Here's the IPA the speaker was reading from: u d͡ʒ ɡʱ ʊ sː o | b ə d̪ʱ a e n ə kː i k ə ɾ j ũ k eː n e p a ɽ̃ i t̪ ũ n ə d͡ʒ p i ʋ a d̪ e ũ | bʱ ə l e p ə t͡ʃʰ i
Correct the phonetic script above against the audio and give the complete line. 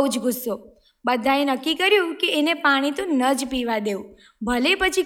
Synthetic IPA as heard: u d͡ʒ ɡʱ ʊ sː o | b ə d̪ʱ a e n ə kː i k ə ɾ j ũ k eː n e p a ɽ̃ i t̪ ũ n ə d͡ʒ p i ʋ a d̪ e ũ | bʱ ə l e p ə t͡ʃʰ i